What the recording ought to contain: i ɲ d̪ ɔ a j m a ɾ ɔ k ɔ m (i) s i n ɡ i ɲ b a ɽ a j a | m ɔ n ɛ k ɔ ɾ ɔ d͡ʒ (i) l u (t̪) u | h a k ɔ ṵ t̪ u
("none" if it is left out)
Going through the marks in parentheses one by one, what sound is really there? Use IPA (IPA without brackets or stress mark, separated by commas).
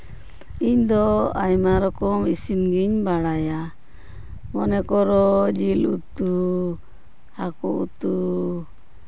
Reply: i, i, t̪